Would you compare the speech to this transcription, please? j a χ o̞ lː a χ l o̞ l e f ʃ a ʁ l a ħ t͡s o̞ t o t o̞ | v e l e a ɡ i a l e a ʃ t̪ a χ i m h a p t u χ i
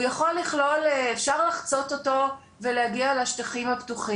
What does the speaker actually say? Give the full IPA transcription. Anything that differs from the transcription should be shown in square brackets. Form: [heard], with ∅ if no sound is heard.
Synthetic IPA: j a χ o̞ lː [i] χ l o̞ l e f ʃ a ʁ l a [χ] t͡s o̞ t o t o̞ | v e l e a ɡ i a l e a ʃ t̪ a χ i m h a p t u χ i